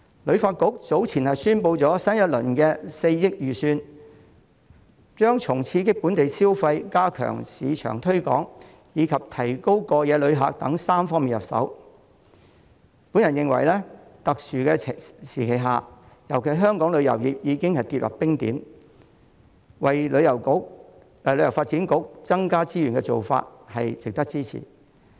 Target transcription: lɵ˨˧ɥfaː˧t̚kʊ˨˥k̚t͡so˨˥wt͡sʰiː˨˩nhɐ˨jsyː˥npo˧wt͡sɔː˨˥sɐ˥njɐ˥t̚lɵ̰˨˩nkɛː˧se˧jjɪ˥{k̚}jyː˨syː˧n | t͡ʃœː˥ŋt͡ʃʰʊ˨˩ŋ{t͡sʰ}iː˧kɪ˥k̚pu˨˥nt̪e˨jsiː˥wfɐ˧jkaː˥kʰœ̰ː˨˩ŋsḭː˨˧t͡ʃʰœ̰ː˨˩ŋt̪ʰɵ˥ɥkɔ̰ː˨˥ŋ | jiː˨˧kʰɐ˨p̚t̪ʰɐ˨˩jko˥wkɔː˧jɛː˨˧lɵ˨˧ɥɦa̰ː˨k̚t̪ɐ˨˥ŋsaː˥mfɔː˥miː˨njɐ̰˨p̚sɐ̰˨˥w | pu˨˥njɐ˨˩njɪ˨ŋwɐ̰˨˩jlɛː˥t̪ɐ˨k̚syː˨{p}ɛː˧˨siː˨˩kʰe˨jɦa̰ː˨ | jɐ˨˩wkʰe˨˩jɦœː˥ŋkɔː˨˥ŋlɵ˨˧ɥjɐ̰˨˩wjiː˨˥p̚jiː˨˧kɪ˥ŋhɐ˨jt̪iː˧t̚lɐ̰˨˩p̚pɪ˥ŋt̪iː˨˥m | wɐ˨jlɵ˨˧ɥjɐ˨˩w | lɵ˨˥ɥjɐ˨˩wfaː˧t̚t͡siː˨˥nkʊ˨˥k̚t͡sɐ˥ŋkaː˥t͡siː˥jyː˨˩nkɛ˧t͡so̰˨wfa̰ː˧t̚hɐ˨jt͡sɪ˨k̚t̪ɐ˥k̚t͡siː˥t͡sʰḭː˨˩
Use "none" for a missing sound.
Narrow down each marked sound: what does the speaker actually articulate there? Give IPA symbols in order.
k̚, t͡sʰ, k

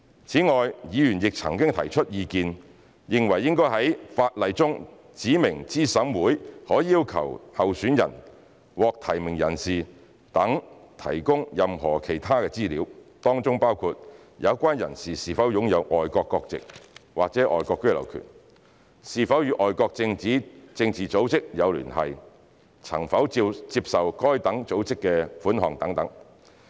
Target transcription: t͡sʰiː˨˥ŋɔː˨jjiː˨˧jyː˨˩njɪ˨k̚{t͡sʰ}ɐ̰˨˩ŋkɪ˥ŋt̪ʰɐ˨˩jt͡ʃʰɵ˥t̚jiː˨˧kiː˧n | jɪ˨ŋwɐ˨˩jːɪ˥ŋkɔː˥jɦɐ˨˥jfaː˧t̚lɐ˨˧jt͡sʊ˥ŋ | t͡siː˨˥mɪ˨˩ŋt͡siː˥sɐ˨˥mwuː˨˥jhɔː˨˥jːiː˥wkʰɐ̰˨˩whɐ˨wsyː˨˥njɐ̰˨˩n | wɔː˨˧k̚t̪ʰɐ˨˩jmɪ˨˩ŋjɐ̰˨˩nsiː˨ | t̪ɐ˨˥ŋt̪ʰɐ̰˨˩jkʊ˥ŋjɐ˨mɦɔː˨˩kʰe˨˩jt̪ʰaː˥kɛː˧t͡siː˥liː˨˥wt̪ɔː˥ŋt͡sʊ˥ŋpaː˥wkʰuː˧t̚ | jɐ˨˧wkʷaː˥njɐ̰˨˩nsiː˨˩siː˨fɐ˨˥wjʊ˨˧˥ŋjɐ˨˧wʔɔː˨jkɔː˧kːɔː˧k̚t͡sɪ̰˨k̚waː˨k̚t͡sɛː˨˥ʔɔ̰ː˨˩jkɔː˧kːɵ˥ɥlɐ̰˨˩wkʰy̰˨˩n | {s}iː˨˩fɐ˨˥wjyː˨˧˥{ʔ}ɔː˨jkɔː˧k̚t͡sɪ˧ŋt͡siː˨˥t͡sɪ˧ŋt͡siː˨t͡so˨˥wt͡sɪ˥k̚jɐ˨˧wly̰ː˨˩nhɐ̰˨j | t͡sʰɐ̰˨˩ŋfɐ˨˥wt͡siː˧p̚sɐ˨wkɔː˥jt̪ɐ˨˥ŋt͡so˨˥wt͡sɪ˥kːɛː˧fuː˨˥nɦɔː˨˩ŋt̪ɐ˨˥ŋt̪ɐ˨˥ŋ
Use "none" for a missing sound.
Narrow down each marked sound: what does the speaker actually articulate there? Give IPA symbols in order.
t͡sʰ, s, ʔ

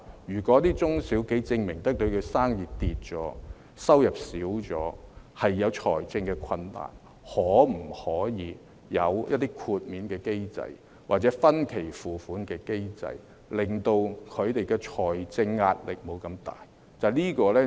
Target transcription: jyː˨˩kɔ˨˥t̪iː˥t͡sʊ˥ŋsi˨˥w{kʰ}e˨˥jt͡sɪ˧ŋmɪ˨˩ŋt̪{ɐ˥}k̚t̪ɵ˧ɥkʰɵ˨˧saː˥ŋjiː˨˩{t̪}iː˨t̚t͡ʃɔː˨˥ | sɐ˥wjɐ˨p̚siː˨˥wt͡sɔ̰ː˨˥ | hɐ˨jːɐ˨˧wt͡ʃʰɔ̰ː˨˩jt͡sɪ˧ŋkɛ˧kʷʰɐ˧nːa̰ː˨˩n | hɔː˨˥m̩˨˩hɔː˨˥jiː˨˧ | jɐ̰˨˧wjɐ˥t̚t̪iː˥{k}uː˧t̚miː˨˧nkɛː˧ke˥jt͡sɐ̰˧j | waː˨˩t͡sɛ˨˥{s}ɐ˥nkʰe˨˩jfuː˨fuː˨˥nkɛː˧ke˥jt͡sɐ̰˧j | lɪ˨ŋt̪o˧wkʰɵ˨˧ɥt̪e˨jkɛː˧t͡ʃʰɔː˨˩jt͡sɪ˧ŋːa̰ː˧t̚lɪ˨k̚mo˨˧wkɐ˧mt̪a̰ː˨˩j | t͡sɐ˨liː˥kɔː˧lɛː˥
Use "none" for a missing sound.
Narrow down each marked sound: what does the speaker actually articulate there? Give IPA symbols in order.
k, ɐ˥, t̪, kʰ, f

